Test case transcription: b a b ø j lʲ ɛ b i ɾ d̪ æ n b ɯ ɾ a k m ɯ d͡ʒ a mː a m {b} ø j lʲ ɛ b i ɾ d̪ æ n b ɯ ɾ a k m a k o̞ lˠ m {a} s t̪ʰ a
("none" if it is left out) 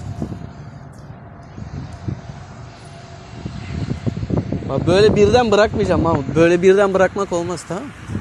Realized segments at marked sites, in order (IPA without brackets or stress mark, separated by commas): b, a